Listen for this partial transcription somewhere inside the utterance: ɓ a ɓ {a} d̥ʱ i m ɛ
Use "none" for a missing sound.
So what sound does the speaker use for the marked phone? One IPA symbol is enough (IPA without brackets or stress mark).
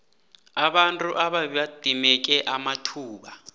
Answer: a